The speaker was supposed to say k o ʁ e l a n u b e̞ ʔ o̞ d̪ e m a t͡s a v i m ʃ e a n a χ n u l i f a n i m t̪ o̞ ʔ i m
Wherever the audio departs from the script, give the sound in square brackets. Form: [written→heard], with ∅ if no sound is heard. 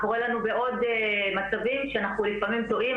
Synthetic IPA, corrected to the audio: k o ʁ e l a n u b e̞ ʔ o̞ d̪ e m a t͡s a v i m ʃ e a n a χ n u l i f a [n→m] i m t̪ o̞ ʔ i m